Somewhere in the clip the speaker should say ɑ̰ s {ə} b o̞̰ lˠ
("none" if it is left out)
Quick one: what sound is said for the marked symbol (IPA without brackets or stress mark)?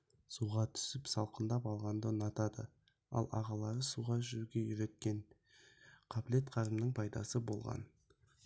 ə